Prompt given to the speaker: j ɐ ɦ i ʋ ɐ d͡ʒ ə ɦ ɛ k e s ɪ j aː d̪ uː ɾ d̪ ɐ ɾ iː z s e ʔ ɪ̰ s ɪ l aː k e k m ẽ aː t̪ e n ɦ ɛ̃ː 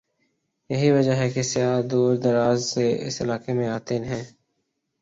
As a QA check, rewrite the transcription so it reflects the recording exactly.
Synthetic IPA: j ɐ ɦ i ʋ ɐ d͡ʒ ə ɦ ɛ k e s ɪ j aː d̪ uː ɾ d̪ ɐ ɾ aː z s e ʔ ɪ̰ s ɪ l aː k e m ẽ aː t̪ e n ɦ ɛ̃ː